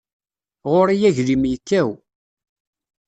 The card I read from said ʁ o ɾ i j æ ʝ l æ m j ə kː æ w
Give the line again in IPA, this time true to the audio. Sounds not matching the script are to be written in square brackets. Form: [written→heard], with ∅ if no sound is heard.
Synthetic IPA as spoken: ʁ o ɾ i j æ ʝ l [æ→i] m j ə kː æ w